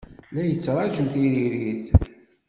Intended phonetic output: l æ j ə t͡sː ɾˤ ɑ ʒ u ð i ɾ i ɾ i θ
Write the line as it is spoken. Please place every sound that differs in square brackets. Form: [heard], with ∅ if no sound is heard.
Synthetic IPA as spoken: l æ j ə t͡sː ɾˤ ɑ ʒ u [θ] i ɾ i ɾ i θ